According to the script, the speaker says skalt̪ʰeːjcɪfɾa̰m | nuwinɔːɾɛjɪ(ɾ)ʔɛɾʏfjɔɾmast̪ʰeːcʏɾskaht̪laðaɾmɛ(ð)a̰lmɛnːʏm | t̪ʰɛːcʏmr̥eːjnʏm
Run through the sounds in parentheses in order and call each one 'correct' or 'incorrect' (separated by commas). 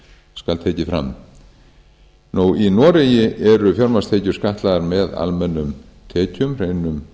incorrect, correct